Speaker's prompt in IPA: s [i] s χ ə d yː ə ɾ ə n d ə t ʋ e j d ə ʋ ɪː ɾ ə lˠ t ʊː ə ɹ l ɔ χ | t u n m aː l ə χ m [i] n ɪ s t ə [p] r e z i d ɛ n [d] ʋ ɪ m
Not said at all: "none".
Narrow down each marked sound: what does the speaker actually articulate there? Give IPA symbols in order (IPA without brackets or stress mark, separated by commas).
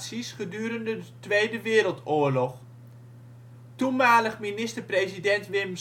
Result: i, i, p, t